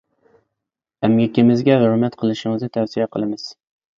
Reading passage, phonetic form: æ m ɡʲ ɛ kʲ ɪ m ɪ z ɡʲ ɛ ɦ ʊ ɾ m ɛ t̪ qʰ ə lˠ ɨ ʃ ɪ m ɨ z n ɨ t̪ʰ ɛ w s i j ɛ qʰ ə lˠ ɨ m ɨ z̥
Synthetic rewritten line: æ m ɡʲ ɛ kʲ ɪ m ɪ z ɡʲ ɛ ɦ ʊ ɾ m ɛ t̪ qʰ ə lˠ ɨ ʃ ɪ ŋ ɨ z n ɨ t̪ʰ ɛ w s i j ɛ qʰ ə lˠ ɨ m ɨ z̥